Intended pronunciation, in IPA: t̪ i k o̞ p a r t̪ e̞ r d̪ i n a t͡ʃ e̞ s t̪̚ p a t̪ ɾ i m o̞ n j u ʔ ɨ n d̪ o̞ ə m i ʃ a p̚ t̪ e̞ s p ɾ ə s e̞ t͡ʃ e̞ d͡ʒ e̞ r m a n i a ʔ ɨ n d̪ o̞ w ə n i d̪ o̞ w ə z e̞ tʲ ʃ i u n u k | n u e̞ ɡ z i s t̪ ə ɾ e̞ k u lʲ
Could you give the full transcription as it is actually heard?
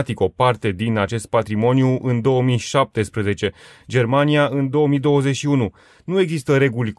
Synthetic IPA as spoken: t̪ i k o̞ p a r t̪ e̞ d̪ i n a t͡ʃ e̞ s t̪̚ p a t̪ ɾ i m o̞ n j u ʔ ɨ n d̪ o̞ ə m i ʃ a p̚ t̪ e̞ s p ɾ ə z e̞ t͡ʃ e̞ d͡ʒ e̞ r m a n i a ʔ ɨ n d̪ o̞ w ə m i d̪ o̞ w ə z e̞ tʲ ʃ i u n u | n u e̞ ɡ z i s t̪ ə ɾ e̞ ɡ u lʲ